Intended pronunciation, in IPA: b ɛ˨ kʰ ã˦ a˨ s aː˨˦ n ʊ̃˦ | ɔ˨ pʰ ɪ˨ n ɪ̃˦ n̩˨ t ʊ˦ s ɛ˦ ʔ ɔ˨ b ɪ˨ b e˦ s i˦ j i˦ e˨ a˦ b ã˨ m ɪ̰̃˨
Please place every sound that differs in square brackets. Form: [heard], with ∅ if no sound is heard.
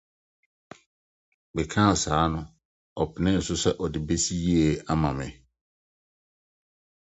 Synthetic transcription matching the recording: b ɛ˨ kʰ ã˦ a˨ s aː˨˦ n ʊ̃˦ | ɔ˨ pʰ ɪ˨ n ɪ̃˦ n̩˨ [s] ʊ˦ s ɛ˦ ʔ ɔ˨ [d] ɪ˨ b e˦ s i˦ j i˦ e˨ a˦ [m] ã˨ m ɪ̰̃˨